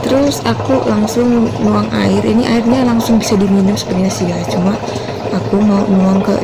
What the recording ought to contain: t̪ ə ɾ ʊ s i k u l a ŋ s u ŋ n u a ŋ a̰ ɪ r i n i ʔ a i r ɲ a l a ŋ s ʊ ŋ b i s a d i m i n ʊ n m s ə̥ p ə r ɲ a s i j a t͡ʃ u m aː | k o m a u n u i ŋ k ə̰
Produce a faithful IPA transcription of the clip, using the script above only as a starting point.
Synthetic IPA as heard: t̪ ə ɾ ʊ s a k u l a ŋ s ʊ ŋ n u a ŋ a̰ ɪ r i n i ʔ a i r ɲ a l a ŋ s ʊ ŋ b i s a d i m i n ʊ m s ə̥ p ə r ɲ a s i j a t͡ʃ u m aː | k u m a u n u a ŋ k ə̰